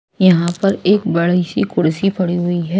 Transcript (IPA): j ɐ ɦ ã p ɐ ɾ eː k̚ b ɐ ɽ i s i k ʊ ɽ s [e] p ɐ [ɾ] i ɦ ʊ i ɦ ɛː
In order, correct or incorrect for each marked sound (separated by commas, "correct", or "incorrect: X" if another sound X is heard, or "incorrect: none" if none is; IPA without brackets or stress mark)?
incorrect: i, incorrect: ɽ